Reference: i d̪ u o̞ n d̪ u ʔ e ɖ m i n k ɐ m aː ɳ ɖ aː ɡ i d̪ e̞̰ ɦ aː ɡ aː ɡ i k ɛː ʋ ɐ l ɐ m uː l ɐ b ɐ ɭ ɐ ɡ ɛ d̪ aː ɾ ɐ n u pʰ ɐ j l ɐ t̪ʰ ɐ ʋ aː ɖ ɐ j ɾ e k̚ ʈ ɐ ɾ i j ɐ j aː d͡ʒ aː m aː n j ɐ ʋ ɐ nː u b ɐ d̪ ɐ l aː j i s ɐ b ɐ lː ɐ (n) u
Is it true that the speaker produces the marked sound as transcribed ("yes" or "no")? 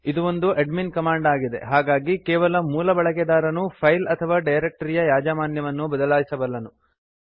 yes